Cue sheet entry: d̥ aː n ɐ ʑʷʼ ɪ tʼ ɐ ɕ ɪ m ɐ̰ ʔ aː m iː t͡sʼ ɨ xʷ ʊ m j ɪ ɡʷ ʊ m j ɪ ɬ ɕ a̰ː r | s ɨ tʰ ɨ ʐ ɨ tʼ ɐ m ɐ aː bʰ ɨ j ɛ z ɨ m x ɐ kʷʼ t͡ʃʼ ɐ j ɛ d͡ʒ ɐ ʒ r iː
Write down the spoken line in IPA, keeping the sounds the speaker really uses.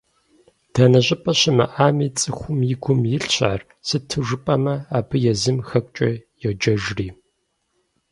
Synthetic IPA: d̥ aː n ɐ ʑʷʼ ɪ pʼ ɐ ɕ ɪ m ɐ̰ ʔ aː m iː t͡sʼ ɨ xʷ ʊ m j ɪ ɡʷ ʊ m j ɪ ɬ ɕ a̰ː r | s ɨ tʰ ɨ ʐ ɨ pʼ ɐ m ɐ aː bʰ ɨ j ɛ z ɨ m x ɐ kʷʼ t͡ʃʼ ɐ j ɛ d͡ʒ ɐ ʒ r iː